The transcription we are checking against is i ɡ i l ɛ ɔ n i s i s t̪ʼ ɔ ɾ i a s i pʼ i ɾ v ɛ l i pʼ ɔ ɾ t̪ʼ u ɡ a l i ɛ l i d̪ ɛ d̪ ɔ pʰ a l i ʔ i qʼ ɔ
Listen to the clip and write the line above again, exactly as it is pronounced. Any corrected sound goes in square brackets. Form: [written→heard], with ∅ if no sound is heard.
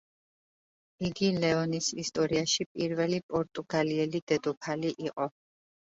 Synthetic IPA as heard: i ɡ i l ɛ ɔ n i s i s t̪ʼ ɔ ɾ i a [s→ʃ] i pʼ i ɾ v ɛ l i pʼ ɔ ɾ t̪ʼ u ɡ a l i ɛ l i d̪ ɛ d̪ ɔ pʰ a l i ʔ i qʼ ɔ